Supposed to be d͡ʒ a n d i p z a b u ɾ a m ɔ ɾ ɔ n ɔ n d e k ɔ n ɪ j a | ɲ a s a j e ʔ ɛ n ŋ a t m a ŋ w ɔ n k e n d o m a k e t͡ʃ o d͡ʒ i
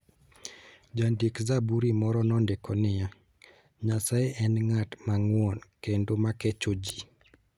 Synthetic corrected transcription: d͡ʒ a n d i k z a b u ɾ i m ɔ ɾ ɔ n ɔ n d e k ɔ n ɪ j a | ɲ a s a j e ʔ ɛ n ŋ a t m a ŋ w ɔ n k e n d o m a k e t͡ʃ o d͡ʒ i

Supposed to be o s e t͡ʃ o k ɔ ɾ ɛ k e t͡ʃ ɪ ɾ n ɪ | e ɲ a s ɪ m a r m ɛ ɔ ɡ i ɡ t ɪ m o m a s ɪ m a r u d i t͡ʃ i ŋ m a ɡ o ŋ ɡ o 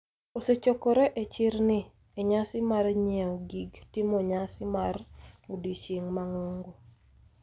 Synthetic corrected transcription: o s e t͡ʃ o k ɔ ɾ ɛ ʔ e t͡ʃ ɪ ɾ n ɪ | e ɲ a s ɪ m a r ɲ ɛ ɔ ɡ i ɡ t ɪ m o ɲ a s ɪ m a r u d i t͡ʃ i ŋ m a ŋ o ŋ ɡ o

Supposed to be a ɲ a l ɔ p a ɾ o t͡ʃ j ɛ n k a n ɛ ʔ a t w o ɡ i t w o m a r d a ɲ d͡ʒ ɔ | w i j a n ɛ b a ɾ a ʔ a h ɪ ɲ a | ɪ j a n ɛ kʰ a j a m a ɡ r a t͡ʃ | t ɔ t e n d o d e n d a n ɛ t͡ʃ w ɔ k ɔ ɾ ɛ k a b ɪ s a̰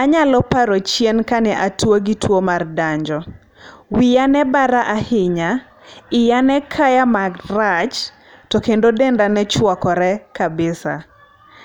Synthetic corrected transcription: a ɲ a l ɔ p a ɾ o t͡ʃ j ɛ n k a n ɛ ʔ a t w o ɡ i t w o m a r d a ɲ d͡ʒ ɔ | w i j a n ɛ b a ɾ a ʔ a h ɪ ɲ a | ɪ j a n ɛ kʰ a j a m a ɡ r a t͡ʃ | t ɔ k e n d o d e n d a n ɛ t͡ʃ w ɔ k ɔ ɾ ɛ k a b ɪ s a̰

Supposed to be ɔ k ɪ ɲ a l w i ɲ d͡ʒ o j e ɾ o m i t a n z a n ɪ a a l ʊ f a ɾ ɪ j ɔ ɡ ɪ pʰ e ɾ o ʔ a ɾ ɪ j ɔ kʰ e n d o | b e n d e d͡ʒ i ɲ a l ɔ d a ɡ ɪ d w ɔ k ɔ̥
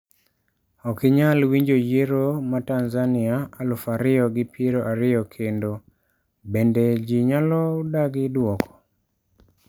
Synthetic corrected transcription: ɔ k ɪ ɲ a l w i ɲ d͡ʒ o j e ɾ o m a t a n z a n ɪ a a l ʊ f a ɾ ɪ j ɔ ɡ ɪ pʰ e ɾ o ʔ a ɾ ɪ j ɔ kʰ e n d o | b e n d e d͡ʒ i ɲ a l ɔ d a ɡ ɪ d w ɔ k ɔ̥

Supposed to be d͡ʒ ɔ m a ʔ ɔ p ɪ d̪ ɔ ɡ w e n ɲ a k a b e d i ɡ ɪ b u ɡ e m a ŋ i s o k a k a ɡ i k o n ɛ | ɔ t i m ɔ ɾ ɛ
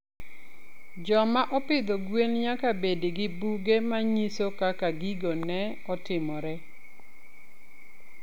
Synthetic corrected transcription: d͡ʒ ɔ m a ʔ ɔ p ɪ d̪ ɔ ɡ w e n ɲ a k a b e d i ɡ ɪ b u ɡ e m a ɲ i s o k a k a ɡ i ɡ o n ɛ | ɔ t ɪ m ɔ ɾ ɛ

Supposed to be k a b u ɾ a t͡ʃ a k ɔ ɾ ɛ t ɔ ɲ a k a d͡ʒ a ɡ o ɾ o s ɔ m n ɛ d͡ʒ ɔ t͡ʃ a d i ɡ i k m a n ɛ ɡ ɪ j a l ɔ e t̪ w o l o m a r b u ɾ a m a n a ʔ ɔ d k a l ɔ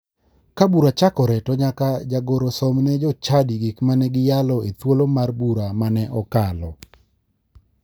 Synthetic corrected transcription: k a b u ɾ a t͡ʃ a k ɔ ɾ ɛ t ɔ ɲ a k a d͡ʒ a ɡ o ɾ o s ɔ m n ɛ d͡ʒ ɔ t͡ʃ a d i ɡ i k m a n ɛ ɡ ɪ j a l ɔ e t̪ w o l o m a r b u ɾ a m a n ɛ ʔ ɔ k a l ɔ

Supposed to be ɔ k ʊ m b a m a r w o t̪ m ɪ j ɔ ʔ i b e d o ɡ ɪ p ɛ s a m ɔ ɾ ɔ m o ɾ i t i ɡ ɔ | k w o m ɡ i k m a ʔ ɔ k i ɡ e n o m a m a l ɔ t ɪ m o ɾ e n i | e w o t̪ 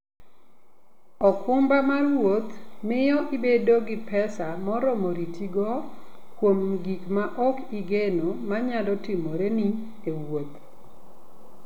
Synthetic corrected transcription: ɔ k ʊ m b a m a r w o t̪ m ɪ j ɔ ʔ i b e d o ɡ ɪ p ɛ s a m ɔ ɾ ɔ m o ɾ i t i ɡ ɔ | k w o m ɡ i k m a ʔ ɔ k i ɡ e n o m a ɲ a l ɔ t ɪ m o ɾ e n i | e w o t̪

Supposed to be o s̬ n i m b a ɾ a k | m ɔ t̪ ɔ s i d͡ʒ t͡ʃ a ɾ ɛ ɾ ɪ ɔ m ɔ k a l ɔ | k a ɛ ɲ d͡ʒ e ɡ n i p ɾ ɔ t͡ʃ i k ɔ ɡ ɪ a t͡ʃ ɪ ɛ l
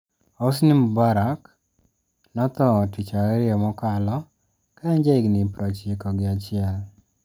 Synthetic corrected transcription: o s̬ n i m b a ɾ a k | n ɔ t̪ ɔ t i t͡ʃ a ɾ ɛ ɾ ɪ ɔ m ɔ k a l ɔ | k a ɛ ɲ d͡ʒ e ɡ n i p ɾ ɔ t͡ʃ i k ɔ ɡ ɪ a t͡ʃ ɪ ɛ l

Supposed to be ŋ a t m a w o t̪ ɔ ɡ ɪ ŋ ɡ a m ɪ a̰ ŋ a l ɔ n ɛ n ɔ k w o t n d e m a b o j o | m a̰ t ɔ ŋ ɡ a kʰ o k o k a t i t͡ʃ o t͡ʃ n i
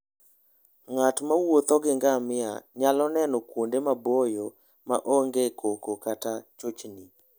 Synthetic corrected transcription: ŋ a t m a w o t̪ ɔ ɡ ɪ ŋ ɡ a m ɪ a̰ ɲ a l ɔ n ɛ n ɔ k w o n d e m a b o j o | m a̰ ʔ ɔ ŋ ɡ e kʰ o k o k a t a t͡ʃ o t͡ʃ n i

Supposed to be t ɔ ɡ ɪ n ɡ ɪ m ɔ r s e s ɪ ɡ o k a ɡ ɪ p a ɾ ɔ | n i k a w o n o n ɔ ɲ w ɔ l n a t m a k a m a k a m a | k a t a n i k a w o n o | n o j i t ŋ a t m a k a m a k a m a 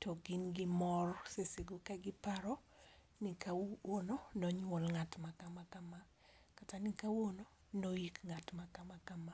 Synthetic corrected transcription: t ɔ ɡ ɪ n ɡ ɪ m ɔ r s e s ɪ ɡ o k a ɡ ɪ p a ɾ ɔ | n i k a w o n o n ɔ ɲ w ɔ l ŋ a t m a k a m a k a m a | k a t a n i k a w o n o | n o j i k ŋ a t m a k a m a k a m a

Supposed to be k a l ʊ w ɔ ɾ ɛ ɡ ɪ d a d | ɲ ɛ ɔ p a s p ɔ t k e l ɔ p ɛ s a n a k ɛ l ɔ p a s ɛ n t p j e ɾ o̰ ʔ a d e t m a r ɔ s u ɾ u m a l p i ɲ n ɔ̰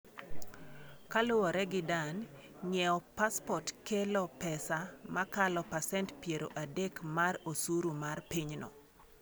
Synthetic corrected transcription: k a l ʊ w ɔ ɾ ɛ ɡ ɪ d a n | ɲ ɛ ɔ p a s p ɔ t k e l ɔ p ɛ s a m a k a l ɔ p a s ɛ n t p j e ɾ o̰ ʔ a d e k m a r o s u ɾ u m a r p i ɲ n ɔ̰

